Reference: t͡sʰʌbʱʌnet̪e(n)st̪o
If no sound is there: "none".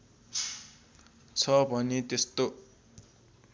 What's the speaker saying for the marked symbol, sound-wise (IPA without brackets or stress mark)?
none